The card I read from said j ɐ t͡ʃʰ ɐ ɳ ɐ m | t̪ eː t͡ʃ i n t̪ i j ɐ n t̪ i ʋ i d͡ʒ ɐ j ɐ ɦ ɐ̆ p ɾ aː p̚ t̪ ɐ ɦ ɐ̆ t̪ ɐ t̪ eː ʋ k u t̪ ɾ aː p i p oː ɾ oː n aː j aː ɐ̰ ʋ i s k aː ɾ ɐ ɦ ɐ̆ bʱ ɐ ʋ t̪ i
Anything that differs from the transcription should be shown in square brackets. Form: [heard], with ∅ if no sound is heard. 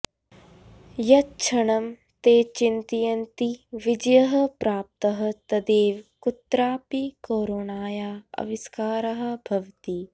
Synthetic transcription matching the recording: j ɐ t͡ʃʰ ɐ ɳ ɐ m | t̪ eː t͡ʃ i n t̪ i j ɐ n t̪ i ʋ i d͡ʒ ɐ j ɐ ɦ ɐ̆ p ɾ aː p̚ t̪ ɐ ɦ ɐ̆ t̪ ɐ [d̪] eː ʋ k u t̪ ɾ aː p i [k] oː ɾ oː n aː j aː ɐ̰ ʋ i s k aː ɾ ɐ ɦ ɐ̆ bʱ ɐ ʋ t̪ i